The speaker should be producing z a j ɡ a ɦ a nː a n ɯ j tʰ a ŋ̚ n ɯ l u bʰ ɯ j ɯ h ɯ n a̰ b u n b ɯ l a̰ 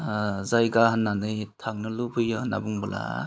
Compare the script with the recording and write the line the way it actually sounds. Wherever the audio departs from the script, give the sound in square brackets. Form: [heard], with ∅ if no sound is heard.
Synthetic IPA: z a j ɡ a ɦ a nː a n ɯ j tʰ a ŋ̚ n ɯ l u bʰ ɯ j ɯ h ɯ n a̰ b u [ŋ] b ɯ l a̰

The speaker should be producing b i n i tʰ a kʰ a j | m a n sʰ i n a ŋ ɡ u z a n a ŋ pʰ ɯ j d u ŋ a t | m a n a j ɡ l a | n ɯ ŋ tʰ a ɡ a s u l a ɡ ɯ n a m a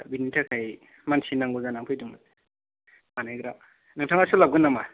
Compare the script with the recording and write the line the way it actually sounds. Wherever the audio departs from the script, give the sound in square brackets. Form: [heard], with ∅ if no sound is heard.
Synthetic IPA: b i n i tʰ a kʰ a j | m a n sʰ i n a ŋ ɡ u z a n a ŋ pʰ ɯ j d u ŋ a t | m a n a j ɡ [ɾ] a | n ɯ ŋ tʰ a [ŋ] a s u l a ɡ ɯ n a m a

